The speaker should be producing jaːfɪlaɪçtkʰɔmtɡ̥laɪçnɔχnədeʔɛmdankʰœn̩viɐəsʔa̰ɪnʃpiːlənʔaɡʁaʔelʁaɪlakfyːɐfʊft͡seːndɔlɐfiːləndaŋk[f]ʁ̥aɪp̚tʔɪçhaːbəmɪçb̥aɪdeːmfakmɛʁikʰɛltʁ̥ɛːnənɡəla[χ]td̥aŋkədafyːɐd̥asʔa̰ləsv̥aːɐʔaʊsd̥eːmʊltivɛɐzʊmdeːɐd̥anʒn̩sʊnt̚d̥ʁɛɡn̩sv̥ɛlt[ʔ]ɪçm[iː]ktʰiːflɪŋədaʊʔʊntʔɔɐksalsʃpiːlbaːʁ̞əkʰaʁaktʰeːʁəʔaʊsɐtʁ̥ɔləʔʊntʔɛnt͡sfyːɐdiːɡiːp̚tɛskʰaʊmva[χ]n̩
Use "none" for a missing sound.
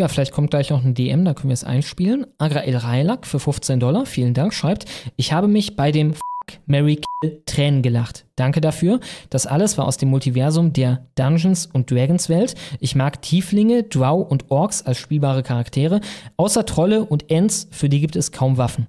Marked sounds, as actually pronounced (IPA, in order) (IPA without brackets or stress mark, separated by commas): ʃ, χ, ʔ, aː, f